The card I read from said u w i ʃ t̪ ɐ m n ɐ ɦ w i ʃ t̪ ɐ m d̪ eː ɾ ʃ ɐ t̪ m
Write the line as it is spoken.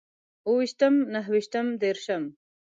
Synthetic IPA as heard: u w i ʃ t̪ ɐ m n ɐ ɦ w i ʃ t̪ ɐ m d̪ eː ɾ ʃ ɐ m